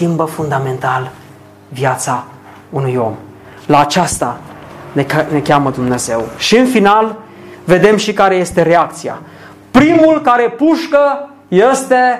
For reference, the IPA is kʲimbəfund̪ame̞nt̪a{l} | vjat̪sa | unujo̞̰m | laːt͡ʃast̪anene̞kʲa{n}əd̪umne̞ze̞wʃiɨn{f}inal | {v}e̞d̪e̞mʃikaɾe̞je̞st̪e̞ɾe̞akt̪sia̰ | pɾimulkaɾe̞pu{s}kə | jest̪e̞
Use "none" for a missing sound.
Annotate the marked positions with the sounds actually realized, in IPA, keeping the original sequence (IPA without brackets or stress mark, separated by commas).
l, m, f, v, ʃ